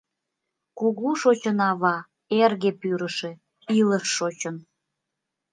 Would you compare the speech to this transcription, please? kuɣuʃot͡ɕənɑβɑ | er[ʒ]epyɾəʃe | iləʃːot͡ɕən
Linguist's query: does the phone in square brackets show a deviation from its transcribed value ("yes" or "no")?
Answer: yes